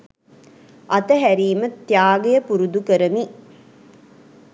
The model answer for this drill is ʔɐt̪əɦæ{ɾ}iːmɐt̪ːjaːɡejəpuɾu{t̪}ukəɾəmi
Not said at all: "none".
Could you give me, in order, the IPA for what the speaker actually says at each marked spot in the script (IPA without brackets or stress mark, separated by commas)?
ɾ, d̪